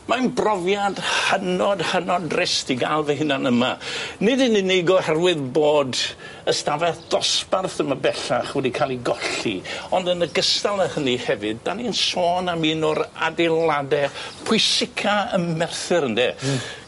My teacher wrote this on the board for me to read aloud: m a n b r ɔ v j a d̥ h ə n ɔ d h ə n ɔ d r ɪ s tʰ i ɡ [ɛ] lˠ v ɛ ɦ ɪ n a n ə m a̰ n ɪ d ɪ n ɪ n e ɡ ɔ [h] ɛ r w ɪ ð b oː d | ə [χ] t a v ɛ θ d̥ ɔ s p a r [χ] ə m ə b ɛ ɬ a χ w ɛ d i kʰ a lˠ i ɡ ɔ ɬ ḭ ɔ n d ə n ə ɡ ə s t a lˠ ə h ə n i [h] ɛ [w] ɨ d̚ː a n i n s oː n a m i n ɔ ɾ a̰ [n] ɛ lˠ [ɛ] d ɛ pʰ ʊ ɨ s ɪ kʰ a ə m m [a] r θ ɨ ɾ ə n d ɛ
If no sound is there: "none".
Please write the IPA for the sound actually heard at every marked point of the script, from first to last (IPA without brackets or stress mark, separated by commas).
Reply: a, h, s, θ, h, v, d, a, ɛ